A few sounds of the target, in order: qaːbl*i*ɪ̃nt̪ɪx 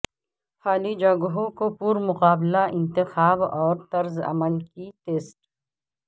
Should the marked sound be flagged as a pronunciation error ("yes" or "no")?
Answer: yes